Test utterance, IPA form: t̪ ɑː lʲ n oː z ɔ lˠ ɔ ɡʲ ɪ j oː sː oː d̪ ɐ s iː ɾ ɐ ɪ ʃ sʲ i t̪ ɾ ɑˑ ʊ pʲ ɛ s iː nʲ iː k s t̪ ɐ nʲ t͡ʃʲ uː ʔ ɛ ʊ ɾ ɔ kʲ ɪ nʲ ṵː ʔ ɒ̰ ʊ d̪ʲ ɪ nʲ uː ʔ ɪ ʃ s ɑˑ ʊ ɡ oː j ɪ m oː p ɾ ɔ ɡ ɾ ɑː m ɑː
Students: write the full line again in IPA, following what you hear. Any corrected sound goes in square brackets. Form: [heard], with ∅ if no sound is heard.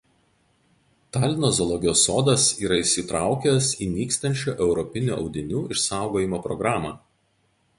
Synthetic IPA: t̪ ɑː lʲ n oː z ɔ lˠ ɔ ɡʲ ɪ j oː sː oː d̪ ɐ s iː ɾ ɐ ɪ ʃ sʲ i t̪ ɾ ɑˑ ʊ [kʲ] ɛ s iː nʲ iː k s t̪ ɐ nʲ t͡ʃʲ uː ʔ ɛ ʊ ɾ ɔ [pʲ] ɪ nʲ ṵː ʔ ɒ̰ ʊ d̪ʲ ɪ nʲ uː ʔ ɪ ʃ s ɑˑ ʊ ɡ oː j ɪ m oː p ɾ ɔ ɡ ɾ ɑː m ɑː

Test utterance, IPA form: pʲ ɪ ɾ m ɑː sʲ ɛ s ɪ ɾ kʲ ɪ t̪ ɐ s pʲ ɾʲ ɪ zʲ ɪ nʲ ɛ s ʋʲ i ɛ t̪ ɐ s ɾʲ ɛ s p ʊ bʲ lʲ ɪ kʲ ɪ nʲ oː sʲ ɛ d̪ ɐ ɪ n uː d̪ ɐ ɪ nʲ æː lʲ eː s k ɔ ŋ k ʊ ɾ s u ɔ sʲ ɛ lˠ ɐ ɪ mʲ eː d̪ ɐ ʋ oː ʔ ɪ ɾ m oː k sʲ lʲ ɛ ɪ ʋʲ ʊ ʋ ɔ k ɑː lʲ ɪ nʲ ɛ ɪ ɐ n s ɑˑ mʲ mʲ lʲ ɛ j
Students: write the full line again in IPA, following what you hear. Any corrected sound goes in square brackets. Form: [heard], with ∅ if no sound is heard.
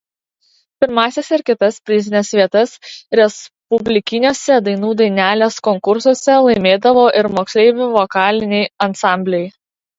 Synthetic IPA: pʲ ɪ ɾ m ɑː sʲ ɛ s ɪ ɾ kʲ ɪ t̪ ɐ s pʲ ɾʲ ɪ zʲ ɪ nʲ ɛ s ʋʲ i ɛ t̪ ɐ s ɾʲ ɛ s p ʊ bʲ lʲ ɪ kʲ ɪ nʲ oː sʲ ɛ d̪ ɐ ɪ n uː d̪ ɐ ɪ nʲ æː lʲ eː s k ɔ ŋ k ʊ ɾ s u ɔ sʲ ɛ lˠ ɐ ɪ mʲ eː d̪ ɐ ʋ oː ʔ ɪ ɾ m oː k sʲ lʲ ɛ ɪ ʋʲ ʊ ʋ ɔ k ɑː lʲ ɪ nʲ ɛ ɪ ɐ n s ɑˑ mʲ [bʲ] lʲ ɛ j

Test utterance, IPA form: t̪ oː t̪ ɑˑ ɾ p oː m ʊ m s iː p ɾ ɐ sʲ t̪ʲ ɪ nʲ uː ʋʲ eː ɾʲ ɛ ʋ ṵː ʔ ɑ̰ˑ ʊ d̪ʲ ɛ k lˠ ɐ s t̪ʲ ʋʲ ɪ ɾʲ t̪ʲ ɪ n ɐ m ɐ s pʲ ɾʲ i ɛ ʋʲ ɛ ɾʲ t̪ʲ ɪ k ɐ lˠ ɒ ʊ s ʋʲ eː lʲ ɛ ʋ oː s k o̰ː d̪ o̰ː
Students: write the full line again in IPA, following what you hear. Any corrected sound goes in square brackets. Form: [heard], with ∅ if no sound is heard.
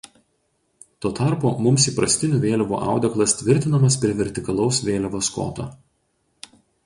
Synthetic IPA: t̪ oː t̪ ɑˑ ɾ p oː m ʊ m s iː p ɾ ɐ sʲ t̪ʲ ɪ nʲ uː ʋʲ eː [lʲ] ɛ ʋ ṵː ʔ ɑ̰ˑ ʊ d̪ʲ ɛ k lˠ ɐ s t̪ʲ ʋʲ ɪ ɾʲ t̪ʲ ɪ n ɐ m ɐ s pʲ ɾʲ i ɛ ʋʲ ɛ ɾʲ t̪ʲ ɪ k ɐ lˠ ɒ ʊ s ʋʲ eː lʲ ɛ ʋ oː s k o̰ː [t̪] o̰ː

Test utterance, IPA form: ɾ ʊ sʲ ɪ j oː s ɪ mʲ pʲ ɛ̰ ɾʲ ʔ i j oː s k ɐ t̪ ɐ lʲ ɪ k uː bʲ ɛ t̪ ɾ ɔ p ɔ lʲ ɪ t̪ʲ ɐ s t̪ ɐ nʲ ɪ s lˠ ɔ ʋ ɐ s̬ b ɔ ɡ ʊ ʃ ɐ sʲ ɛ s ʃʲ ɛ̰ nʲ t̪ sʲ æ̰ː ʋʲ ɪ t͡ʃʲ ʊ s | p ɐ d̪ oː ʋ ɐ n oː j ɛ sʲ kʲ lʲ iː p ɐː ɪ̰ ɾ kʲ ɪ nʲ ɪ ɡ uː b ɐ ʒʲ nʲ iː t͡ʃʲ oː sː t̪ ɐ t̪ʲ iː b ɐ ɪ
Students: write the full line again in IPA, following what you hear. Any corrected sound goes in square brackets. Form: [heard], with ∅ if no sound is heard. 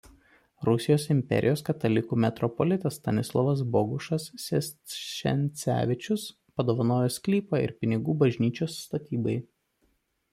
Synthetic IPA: ɾ ʊ sʲ ɪ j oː s ɪ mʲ pʲ ɛ̰ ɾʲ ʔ [ɪ] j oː s k ɐ t̪ ɐ lʲ ɪ k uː [mʲ] ɛ t̪ ɾ ɔ p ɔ lʲ ɪ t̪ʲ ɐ s t̪ ɐ nʲ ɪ s lˠ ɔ ʋ ɐ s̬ b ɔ ɡ ʊ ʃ ɐ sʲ ɛ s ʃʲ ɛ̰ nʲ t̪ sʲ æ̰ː ʋʲ ɪ t͡ʃʲ ʊ s | p ɐ d̪ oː ʋ ɐ n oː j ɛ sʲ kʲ lʲ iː p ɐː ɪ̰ ɾ [pʲ] ɪ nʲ ɪ ɡ uː b ɐ ʒʲ nʲ iː t͡ʃʲ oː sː t̪ ɐ t̪ʲ iː b ɐ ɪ

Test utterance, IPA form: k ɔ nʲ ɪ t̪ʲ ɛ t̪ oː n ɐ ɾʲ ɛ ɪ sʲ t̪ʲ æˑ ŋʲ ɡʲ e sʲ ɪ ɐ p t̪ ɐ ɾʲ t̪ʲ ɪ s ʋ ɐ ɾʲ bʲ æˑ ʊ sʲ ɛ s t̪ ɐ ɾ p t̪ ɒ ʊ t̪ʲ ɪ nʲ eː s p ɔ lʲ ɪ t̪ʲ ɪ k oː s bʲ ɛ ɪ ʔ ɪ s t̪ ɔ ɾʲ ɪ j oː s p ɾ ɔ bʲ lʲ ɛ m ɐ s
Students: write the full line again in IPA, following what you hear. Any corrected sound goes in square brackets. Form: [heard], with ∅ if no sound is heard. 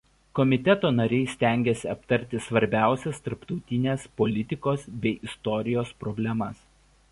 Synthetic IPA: k ɔ [mʲ] ɪ t̪ʲ ɛ t̪ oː n ɐ ɾʲ ɛ ɪ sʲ t̪ʲ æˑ ŋʲ ɡʲ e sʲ ɪ ɐ p t̪ ɐ ɾʲ t̪ʲ ɪ s ʋ ɐ ɾʲ bʲ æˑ ʊ sʲ ɛ s t̪ ɐ ɾ p t̪ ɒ ʊ t̪ʲ ɪ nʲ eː s p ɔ lʲ ɪ t̪ʲ ɪ k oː s bʲ ɛ ɪ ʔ ɪ s t̪ ɔ ɾʲ ɪ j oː s p ɾ ɔ bʲ lʲ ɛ m ɐ s

